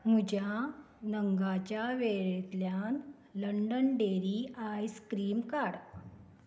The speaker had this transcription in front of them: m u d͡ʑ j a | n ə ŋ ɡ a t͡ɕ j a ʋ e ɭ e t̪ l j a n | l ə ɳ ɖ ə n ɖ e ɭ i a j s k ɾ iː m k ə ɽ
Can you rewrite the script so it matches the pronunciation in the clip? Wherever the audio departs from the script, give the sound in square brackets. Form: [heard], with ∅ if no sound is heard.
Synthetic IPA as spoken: m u d͡ʑ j a | n ə ŋ ɡ a t͡ɕ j a ʋ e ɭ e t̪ l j a n | l ə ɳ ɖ ə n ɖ e [ɾ] i a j s k ɾ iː m k [a] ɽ